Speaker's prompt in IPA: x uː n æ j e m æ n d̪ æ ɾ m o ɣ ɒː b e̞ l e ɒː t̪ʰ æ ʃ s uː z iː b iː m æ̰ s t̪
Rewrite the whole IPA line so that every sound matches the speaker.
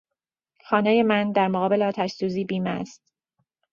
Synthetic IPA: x ɒː n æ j e m æ n d̪ æ ɾ m o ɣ ɒː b e̞ l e ɒː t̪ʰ æ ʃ s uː z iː b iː m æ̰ s t̪